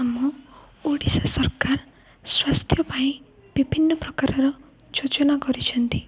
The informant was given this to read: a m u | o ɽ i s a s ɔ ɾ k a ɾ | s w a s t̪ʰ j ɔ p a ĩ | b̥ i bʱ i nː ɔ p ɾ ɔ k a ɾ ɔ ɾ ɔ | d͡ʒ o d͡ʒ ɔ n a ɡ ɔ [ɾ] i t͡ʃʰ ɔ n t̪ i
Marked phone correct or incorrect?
correct